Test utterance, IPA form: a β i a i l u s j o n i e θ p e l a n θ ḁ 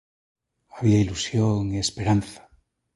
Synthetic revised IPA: a β i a i l u s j o ŋ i e s p e ɾ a n θ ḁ

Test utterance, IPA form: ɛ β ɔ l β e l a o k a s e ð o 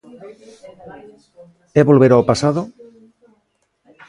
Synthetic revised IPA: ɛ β o l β e ɾ a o p a s a ð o

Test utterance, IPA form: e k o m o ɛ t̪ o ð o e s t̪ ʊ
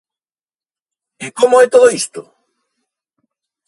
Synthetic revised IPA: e k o m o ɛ t̪ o ð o i s t̪ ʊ

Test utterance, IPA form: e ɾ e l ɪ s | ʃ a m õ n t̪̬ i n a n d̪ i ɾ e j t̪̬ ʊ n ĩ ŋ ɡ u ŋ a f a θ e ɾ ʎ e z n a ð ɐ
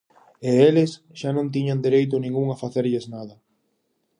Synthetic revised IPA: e e l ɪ s | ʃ a n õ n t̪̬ i ɲ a n d̪ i ɾ e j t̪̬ ʊ n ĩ ŋ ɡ u ŋ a f a θ e ɾ ʎ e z n a ð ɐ

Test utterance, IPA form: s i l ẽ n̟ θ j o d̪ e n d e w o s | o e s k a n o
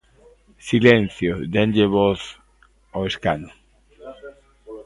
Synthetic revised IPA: s i l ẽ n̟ θ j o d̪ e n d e β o θ | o e s k a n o

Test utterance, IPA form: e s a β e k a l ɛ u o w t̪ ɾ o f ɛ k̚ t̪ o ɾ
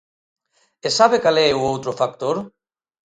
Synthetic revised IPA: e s a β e k a l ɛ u o w t̪ ɾ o f a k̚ t̪ o ɾ

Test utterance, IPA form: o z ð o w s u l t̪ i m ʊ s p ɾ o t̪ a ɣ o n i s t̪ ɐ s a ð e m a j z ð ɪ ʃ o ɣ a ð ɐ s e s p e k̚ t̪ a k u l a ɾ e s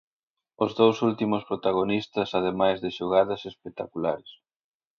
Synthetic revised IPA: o z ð o w s u l t̪ i m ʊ s p ɾ o t̪ a ɣ o n i s t̪ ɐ s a ð e m a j z ð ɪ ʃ o ɣ a ð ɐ s e s p e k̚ t̪ a k u l a ɾ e s

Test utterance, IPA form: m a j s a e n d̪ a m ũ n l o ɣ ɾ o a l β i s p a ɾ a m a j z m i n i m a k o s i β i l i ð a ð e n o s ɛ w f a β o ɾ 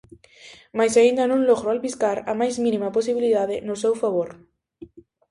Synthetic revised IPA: m a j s a i n d̪ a n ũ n l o ɣ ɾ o a l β i s k a ɾ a m a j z m i n i m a p o s i β i l i ð a ð e n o s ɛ w f a β o ɾ

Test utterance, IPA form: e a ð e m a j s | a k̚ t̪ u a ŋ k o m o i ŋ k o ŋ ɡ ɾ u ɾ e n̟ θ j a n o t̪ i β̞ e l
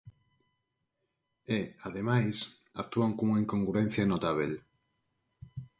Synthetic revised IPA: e a ð e m a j s | a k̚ t̪ u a ŋ k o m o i ŋ k o ŋ ɡ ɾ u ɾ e n̟ θ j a n o t̪ a β̞ e l

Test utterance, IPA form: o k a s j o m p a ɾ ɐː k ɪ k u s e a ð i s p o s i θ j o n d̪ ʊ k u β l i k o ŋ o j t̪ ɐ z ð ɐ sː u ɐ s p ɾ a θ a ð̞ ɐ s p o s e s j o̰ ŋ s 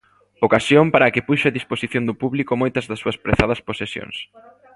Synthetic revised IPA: o k a s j o m p a ɾ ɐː k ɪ p u ʃ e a ð i s p o s i θ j o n d̪ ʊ p u β l i k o m o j t̪ ɐ z ð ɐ sː u ɐ s p ɾ e θ a ð̞ ɐ s p o s e s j o̰ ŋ s

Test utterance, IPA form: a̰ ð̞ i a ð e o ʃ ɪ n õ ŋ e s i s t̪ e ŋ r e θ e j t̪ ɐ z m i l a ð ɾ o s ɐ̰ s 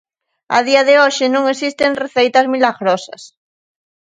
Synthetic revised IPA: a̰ ð̞ i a ð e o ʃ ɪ n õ ŋ e s i s t̪ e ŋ r e θ e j t̪ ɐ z m i l a ɣ ɾ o s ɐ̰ s

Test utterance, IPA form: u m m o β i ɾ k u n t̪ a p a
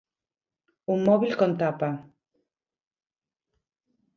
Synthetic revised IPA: u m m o β i l k o n t̪ a p a

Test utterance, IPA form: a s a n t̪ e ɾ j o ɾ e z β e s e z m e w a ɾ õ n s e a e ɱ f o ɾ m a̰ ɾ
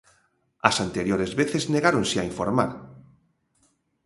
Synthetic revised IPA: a s a n t̪ e ɾ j o ɾ e z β e θ e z n e ɣ a ɾ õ n s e a i ɱ f o ɾ m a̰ ɾ

